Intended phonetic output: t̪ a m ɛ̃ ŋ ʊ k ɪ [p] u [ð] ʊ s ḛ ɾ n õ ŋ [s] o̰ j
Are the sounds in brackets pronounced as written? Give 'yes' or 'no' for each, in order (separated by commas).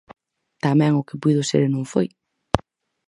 yes, yes, no